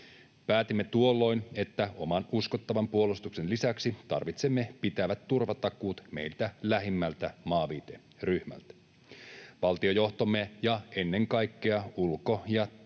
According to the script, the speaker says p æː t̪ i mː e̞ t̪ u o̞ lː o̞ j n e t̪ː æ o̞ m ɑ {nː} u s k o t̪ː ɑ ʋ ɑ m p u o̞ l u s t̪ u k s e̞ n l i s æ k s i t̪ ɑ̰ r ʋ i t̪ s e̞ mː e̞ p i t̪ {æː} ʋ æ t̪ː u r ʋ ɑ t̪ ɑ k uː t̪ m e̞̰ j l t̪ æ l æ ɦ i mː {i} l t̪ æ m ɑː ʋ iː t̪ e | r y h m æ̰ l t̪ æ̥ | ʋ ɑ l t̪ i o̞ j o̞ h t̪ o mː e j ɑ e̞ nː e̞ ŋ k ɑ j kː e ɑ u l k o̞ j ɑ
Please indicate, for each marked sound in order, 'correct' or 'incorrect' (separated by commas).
incorrect, incorrect, incorrect